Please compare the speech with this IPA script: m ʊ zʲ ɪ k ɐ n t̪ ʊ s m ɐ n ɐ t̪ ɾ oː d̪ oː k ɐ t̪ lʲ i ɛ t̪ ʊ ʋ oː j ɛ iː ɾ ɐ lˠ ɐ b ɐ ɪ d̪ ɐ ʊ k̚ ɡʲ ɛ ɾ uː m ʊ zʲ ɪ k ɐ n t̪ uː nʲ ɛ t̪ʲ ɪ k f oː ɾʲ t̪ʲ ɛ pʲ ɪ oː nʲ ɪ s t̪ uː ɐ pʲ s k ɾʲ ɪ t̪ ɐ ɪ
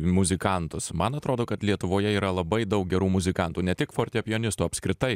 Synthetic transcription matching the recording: m ʊ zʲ ɪ k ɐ n t̪ ʊ s m ɐ n ɐ t̪ ɾ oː d̪ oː k ɐ t̪ lʲ i ɛ t̪ ʊ ʋ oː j ɛ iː ɾ ɐ lˠ ɐ b ɐ ɪ d̪ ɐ ʊ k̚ ɡʲ ɛ ɾ uː m ʊ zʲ ɪ k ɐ n t̪ uː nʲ ɛ t̪ʲ ɪ k f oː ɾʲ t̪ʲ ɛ pʲ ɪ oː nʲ ɪ s t̪ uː ɐ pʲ s k ɾʲ ɪ t̪ ɐ ɪ